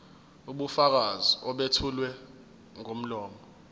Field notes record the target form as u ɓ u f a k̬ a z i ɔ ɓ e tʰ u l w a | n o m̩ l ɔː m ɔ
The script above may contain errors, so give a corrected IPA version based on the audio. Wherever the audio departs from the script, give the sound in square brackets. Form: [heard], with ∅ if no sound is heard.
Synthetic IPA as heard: u ɓ u f a k̬ a z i ɔ ɓ e tʰ u l w [ɛ] | [ŋ] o m̩ l ɔː m ɔ